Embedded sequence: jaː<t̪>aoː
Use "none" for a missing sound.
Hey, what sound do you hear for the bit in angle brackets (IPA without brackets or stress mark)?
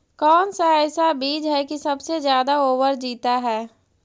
d̪